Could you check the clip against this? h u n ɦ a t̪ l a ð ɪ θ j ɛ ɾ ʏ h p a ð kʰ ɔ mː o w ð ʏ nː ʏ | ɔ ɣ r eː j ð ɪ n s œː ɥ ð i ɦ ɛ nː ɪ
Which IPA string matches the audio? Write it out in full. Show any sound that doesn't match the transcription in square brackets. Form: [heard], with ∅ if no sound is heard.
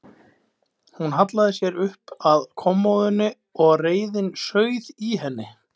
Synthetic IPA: h u n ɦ a t̪ l a ð ɪ [s] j ɛ ɾ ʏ h p a ð kʰ ɔ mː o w ð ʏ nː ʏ | ɔ ɣ r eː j ð ɪ n s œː ɥ ð i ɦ ɛ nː ɪ

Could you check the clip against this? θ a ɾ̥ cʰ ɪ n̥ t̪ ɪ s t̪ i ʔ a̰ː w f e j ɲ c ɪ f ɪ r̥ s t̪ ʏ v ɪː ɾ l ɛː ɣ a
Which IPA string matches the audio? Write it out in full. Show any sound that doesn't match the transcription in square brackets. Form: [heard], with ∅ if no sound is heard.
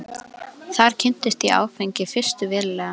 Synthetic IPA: θ a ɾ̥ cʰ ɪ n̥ t̪ ɪ s t̪ i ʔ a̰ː w f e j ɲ c ɪ f ɪ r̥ s t̪ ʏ v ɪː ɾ l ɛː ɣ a

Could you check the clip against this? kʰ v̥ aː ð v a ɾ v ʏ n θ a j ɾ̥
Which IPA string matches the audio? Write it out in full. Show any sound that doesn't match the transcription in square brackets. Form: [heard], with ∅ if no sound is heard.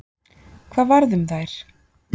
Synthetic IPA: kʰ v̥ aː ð v a ɾ [ð] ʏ [m] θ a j ɾ̥

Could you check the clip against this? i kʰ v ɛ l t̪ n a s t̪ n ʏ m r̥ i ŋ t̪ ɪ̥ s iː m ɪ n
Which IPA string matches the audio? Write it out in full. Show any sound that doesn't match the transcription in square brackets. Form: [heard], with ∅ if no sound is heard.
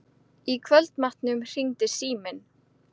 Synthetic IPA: i kʰ v [œ] l t̪ [m] a [h] t̪ n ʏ m r̥ i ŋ t̪ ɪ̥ s iː m ɪ n

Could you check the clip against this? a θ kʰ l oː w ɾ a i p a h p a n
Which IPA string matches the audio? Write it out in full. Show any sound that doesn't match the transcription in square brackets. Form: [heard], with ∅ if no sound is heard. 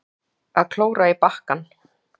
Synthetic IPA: a [ð] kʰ l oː w ɾ a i p a h [k] a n

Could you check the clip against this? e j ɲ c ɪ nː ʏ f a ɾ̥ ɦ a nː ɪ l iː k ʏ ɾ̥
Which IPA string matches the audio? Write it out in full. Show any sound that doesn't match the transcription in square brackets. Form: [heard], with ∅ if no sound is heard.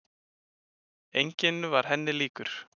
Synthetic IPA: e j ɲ c ɪ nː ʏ [v] a ɾ̥ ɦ [ɛ] nː ɪ l iː k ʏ ɾ̥

